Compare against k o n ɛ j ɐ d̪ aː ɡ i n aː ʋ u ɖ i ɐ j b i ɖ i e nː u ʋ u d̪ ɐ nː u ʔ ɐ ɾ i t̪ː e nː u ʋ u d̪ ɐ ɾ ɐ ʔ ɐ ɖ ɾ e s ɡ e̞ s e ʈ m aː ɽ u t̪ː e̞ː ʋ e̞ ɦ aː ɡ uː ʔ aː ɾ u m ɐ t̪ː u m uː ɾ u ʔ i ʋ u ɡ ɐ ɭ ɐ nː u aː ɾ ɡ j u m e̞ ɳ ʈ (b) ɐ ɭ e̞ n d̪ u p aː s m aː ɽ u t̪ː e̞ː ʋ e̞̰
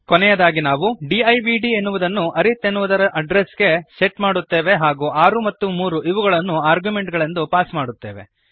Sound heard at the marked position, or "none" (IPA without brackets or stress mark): ɡ